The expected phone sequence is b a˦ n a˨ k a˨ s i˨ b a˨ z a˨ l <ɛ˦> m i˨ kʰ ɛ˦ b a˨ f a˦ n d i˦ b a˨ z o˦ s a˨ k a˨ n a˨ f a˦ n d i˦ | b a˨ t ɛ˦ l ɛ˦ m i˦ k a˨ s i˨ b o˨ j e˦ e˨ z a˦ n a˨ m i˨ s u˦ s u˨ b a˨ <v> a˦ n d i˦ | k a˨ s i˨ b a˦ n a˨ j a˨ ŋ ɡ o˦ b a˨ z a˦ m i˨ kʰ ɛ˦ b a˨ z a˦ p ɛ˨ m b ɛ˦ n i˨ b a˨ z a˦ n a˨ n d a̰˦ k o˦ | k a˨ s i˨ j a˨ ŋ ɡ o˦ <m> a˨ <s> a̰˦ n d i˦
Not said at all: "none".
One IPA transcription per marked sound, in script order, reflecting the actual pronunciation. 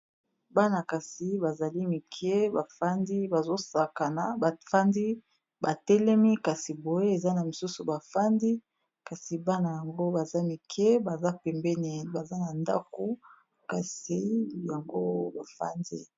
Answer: i˦, f, b, f

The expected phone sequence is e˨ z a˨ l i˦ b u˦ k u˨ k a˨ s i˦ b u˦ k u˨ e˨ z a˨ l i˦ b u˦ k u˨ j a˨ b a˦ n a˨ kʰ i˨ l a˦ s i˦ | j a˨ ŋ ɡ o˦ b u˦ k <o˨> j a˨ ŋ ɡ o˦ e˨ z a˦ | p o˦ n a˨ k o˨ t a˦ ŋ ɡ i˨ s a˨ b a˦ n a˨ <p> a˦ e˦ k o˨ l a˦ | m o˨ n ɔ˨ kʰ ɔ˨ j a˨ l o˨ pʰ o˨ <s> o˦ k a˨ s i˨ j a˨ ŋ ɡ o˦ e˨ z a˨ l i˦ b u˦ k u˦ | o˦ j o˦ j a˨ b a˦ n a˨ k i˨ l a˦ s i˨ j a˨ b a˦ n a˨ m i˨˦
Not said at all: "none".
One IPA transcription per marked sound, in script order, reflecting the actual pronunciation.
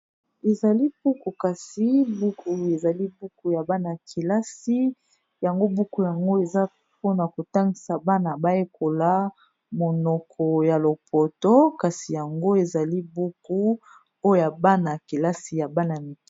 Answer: u˨, b, t

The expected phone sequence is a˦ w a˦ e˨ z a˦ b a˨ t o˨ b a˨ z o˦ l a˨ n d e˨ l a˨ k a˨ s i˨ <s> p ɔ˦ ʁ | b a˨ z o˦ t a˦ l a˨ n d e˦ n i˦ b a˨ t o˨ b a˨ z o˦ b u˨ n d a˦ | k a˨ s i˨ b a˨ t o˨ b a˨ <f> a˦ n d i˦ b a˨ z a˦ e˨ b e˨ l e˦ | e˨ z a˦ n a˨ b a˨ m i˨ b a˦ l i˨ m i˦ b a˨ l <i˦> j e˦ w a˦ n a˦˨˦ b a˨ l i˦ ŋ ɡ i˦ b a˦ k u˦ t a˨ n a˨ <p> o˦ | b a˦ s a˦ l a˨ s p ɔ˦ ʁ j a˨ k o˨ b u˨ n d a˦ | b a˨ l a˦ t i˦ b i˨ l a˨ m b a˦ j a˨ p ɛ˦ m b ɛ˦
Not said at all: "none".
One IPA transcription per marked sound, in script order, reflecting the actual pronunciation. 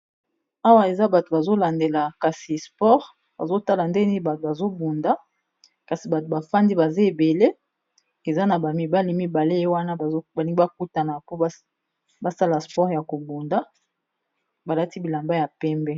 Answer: s, f, e˦, p

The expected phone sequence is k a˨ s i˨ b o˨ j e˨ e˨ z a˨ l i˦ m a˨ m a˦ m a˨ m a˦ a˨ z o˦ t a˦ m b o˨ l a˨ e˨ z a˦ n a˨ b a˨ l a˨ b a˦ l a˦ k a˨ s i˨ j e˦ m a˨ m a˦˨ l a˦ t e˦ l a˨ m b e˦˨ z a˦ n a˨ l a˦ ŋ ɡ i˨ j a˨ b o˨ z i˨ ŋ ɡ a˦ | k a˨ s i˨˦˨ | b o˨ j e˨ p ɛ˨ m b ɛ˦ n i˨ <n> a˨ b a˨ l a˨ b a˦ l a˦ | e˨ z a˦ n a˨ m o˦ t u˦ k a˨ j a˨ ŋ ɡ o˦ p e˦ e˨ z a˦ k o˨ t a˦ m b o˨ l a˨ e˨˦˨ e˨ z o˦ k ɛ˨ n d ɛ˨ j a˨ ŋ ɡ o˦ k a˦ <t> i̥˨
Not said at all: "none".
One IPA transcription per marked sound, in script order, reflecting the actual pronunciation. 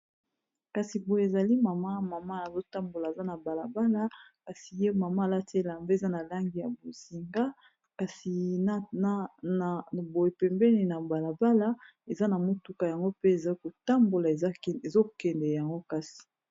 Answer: n, s

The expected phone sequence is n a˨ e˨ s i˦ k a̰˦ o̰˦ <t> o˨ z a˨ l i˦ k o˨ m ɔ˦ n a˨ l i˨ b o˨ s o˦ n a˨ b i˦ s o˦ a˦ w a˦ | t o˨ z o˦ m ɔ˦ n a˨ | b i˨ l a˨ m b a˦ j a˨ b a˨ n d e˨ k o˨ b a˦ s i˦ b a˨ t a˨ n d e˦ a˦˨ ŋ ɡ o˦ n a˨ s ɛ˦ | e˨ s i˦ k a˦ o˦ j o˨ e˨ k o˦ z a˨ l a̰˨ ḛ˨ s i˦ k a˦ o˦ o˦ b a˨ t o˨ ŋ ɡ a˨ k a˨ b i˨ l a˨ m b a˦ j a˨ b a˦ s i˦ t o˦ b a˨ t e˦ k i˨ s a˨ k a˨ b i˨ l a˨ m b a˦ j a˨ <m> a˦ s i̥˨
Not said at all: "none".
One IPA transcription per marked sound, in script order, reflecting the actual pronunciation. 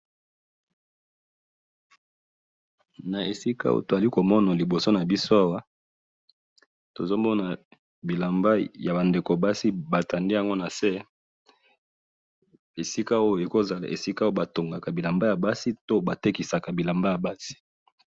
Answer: t, b

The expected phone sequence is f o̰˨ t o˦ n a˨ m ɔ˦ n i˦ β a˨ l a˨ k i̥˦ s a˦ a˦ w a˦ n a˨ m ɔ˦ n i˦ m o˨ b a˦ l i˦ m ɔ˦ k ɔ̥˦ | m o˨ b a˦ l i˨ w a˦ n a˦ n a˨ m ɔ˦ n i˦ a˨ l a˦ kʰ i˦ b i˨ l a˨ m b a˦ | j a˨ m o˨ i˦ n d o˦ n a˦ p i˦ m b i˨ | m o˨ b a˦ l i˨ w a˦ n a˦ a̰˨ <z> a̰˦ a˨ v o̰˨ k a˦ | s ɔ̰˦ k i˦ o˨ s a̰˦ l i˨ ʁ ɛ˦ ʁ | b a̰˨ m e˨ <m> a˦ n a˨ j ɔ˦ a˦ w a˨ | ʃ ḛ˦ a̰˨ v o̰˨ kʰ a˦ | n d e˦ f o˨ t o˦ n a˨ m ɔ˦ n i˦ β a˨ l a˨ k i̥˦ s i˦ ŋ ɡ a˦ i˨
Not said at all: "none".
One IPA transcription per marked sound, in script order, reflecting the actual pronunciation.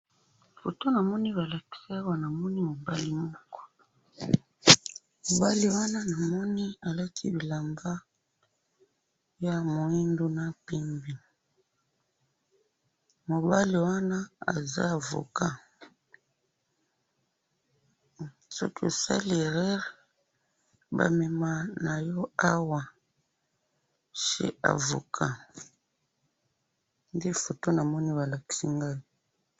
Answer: z, m

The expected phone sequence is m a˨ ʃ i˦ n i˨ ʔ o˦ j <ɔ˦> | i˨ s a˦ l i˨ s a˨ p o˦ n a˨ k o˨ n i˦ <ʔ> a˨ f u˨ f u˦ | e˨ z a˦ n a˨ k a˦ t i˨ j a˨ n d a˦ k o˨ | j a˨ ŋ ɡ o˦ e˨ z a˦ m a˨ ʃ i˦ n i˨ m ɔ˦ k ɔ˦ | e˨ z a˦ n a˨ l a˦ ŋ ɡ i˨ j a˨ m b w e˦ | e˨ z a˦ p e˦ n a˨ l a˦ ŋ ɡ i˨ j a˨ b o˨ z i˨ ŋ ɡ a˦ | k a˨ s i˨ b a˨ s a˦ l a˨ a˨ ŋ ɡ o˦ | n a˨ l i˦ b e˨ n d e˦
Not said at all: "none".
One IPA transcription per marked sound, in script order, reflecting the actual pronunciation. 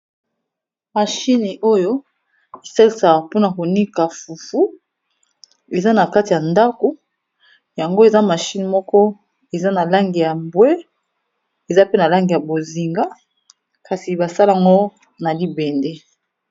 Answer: o˦, k

